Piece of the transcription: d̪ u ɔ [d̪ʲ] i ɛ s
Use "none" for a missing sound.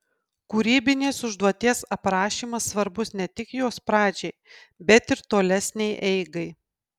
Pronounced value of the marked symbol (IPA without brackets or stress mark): t̪ʲ